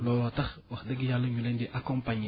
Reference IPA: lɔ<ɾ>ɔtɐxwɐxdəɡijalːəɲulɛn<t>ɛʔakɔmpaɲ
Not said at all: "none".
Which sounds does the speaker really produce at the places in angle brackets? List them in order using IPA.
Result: l, d

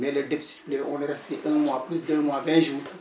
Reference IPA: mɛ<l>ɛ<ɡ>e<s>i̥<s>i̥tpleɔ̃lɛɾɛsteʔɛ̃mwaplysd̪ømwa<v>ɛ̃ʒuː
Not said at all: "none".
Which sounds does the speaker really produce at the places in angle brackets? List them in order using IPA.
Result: l, d, f, s, v

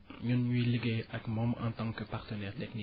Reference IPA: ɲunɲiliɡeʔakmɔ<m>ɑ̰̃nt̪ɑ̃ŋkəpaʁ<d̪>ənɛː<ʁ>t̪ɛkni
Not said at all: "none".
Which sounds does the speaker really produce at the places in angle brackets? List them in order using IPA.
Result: m, t̪, ʁ

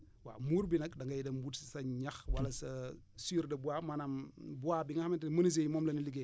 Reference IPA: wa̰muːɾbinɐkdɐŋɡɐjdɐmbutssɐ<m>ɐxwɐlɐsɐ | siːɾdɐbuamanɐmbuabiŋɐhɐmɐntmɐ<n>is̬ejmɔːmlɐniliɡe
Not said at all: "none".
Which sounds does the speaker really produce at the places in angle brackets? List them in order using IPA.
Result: ɲ, n

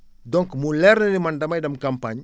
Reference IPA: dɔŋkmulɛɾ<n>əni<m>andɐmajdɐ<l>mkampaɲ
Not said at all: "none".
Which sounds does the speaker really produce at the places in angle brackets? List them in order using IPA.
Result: n, m, none

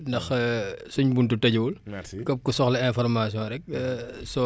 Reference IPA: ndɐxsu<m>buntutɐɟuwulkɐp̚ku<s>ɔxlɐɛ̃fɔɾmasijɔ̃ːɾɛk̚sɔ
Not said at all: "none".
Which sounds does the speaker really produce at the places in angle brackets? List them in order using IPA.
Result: ɲ, s

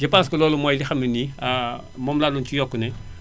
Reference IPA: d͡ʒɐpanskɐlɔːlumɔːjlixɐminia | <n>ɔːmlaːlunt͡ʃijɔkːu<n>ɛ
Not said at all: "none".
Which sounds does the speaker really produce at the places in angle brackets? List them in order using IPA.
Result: m, n

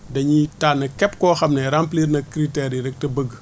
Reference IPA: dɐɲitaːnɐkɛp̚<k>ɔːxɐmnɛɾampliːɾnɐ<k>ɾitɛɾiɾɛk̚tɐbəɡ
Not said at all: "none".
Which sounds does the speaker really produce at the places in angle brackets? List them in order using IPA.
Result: k, k

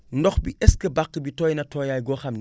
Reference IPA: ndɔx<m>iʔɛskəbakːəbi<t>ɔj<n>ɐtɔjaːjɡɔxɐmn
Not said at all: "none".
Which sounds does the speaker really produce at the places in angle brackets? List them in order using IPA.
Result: b, t, n

